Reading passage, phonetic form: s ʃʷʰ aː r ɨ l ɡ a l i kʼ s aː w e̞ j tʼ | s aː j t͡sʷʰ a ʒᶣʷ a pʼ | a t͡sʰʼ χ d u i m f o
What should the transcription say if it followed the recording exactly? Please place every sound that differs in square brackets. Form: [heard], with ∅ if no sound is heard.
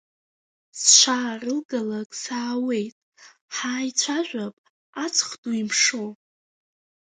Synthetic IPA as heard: s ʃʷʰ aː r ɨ l ɡ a l [a] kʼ s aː w e̞ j tʼ | [ħ] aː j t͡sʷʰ a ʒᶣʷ a pʼ | a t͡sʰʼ χ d u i m [ʂ] o